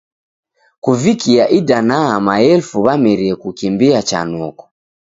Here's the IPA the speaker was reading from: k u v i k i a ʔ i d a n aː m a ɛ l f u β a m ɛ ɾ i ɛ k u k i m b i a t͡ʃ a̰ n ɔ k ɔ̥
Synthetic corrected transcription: k u v i k i a ʔ i d a n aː m a ɛ l f u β a m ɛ ɾ i ɛ k u k i m b i a t͡ʃ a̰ n ɔ k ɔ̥

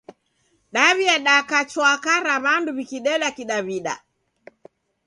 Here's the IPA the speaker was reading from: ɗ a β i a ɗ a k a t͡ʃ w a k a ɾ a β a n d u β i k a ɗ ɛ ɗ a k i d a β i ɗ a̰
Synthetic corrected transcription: ɗ a β i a ɗ a k a t͡ʃ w a k a ɾ a β a n d u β i k i ɗ ɛ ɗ a k i ɗ a β i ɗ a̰

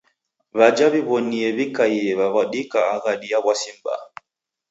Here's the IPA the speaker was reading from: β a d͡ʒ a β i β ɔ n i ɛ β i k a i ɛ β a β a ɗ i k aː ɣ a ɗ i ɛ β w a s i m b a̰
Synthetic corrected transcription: β a d͡ʒ a β i β ɔ n i ɛ β i k a i ɛ β a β a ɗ i k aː ɣ a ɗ i a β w a s i m b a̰

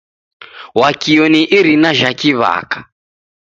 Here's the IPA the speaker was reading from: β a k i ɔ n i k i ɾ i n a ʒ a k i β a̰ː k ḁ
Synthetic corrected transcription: w a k i ɔ n i ʔ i ɾ i n a ʒ a k i β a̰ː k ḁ

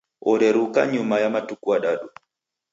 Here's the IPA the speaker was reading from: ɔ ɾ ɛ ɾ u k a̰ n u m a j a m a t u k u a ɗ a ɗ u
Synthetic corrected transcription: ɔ ɾ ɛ ɾ u k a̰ ɲ u m a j a m a t u k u a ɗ a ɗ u

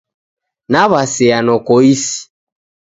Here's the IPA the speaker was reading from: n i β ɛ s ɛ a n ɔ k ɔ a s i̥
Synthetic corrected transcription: n a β a s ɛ a n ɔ k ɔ i s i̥

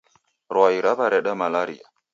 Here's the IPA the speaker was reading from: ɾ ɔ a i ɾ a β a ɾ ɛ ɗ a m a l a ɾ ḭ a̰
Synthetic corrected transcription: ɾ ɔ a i ɾ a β a ɾ ɛ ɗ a m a l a ɾ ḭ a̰

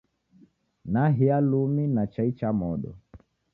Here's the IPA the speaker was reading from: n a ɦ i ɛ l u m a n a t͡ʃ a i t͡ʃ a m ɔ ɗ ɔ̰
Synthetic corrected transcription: n a ɦ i a l u m i n a t͡ʃ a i t͡ʃ a m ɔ ɗ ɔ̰

